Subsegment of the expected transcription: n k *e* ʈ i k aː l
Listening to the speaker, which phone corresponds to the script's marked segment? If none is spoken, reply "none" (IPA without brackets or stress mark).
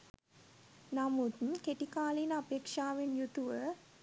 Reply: e